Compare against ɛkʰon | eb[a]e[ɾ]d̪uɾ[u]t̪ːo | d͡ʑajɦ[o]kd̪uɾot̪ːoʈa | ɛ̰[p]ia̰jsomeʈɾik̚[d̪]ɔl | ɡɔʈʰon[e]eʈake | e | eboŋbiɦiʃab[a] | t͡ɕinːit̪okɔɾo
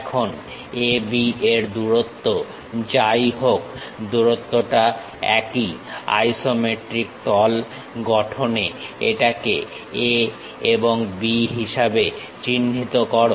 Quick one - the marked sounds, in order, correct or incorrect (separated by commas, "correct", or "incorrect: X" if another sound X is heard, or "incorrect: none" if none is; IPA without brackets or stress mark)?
incorrect: i, correct, incorrect: o, correct, incorrect: k, incorrect: t̪, correct, incorrect: e